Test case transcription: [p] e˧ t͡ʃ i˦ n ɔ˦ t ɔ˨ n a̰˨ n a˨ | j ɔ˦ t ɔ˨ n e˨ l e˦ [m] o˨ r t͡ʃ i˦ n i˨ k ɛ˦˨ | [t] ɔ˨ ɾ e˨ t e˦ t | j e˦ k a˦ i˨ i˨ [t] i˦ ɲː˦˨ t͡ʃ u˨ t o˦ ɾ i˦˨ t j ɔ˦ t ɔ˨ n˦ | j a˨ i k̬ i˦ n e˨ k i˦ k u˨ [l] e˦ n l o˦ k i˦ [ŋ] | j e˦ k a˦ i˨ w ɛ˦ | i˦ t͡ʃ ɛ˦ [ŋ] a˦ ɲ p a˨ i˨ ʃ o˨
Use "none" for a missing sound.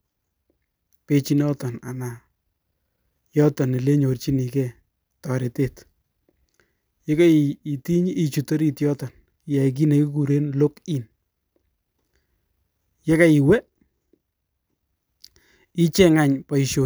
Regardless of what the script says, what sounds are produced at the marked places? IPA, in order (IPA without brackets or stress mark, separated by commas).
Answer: p, ɲ, t, t, ɾ, n, ŋ